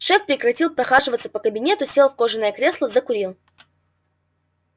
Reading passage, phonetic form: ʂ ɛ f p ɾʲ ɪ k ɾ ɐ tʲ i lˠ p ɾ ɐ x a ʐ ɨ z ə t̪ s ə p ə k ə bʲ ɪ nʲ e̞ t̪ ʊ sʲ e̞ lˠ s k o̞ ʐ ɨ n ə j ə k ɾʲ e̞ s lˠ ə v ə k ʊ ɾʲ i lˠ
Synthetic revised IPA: ʂ ɛ f p ɾʲ ɪ k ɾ ɐ tʲ i lˠ p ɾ ɐ x a ʐ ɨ v ə t̪ s ə p ə k ə bʲ ɪ nʲ e̞ t̪ ʊ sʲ e̞ lˠ f k o̞ ʐ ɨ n ə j ə k ɾʲ e̞ s lˠ ə z ə k ʊ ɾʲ i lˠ